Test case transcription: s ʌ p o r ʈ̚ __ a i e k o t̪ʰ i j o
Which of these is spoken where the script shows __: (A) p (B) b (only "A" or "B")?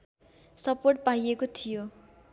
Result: A